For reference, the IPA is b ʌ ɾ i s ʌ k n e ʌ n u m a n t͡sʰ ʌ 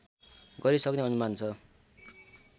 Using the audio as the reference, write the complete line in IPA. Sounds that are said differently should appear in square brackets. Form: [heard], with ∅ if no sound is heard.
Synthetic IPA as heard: [ɡ] ʌ ɾ i s ʌ k n e ʌ n u m a n t͡sʰ ʌ